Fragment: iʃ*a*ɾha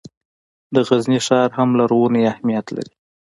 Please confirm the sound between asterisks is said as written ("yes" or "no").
no